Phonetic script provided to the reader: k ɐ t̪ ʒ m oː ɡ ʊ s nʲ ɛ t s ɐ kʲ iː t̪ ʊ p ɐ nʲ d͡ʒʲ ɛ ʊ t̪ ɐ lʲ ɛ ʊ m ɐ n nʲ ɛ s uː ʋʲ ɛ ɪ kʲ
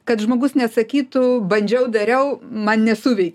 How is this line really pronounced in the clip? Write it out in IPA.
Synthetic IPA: k ɐ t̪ ʒ m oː ɡ ʊ s nʲ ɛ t s ɐ kʲ iː t̪ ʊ b ɐ nʲ d͡ʒʲ ɛ ʊ d̪ ɐ ɾʲ ɛ ʊ m ɐ n nʲ ɛ s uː ʋʲ ɛ ɪ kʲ